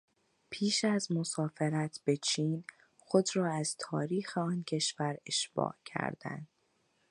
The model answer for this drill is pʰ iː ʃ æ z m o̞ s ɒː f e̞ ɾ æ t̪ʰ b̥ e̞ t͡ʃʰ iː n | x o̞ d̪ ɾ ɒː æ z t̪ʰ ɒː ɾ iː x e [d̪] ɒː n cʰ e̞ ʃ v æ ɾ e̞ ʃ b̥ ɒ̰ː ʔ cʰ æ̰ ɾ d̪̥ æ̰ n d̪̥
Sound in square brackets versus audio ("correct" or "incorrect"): incorrect